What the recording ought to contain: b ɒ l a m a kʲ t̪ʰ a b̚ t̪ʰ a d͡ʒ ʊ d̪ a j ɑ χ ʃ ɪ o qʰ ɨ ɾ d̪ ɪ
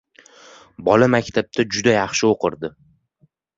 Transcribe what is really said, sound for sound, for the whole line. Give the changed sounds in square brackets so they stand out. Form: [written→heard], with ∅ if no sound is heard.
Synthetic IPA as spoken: b ɒ l a m a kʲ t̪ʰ a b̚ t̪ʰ a d͡ʒ ʊ d̪ a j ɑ χ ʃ ɪ o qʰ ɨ ɾ d̪ ɪ